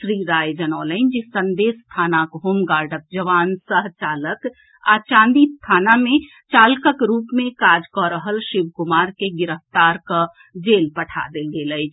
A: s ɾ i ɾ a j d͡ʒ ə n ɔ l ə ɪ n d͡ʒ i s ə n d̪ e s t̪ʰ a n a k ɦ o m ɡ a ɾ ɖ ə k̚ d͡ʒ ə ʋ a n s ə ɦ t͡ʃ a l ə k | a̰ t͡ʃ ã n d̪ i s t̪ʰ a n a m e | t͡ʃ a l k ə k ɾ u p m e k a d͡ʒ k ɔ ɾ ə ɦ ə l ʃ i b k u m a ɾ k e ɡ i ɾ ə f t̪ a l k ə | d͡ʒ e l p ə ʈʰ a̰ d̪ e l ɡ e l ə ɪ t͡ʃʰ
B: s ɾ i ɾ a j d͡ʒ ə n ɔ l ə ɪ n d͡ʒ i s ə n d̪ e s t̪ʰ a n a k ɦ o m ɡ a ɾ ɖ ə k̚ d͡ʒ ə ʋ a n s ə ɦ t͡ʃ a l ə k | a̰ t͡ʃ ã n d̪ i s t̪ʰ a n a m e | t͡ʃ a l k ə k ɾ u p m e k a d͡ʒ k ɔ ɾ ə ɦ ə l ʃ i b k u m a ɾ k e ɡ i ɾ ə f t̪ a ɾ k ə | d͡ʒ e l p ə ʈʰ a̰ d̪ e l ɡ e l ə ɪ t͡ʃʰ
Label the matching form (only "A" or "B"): B